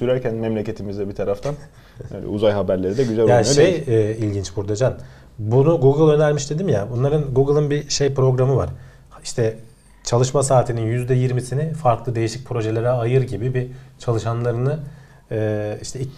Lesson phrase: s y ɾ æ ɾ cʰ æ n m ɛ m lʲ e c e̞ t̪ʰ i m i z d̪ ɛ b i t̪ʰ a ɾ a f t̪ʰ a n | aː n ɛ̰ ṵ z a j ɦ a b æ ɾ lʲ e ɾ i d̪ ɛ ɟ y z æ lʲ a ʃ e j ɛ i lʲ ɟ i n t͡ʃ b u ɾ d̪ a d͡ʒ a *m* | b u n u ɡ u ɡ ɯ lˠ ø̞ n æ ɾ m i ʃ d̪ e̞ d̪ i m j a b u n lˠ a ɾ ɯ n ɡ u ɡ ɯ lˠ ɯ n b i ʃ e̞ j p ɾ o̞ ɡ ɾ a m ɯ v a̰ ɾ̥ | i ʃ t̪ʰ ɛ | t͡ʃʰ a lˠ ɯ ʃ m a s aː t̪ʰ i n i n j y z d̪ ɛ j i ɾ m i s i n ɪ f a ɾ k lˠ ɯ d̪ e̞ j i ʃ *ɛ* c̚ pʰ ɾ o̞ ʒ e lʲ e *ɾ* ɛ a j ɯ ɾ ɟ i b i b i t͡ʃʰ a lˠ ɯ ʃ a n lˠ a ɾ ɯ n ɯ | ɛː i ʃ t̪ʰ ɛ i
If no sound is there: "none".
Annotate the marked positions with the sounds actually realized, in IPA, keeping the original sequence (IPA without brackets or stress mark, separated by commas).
n, i, ɾ